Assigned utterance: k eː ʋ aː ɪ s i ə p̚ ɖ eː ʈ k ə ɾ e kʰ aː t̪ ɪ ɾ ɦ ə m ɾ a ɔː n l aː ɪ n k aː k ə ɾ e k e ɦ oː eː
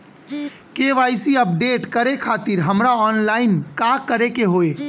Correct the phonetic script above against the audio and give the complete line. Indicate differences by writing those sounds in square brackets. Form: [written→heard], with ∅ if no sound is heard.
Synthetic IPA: k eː ʋ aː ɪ s i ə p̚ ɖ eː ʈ k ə ɾ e kʰ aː t̪ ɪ ɾ ɦ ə m ɾ a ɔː n l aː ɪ n k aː k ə ɾ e k e ɦ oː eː